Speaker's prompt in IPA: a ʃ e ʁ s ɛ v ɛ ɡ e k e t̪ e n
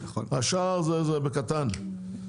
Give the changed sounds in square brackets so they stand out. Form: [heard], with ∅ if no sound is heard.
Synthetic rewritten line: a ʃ [a] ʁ [z] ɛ [z] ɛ [b] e k [a] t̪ [a] n